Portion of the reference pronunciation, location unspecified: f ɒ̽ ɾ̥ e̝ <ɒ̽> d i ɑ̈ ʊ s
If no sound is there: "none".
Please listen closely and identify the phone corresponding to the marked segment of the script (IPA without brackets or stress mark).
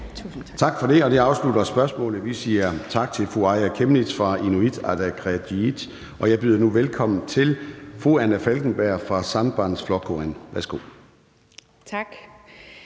ɒ̽